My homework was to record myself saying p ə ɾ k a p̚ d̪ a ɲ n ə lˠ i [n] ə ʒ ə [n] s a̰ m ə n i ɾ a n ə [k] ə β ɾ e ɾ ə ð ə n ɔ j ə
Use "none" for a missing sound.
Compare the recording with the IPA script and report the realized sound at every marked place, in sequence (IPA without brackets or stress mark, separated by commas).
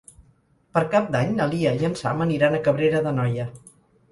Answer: none, n, k